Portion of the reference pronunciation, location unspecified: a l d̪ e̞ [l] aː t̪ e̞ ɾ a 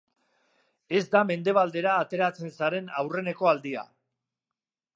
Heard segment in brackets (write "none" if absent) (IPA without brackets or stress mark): ɾ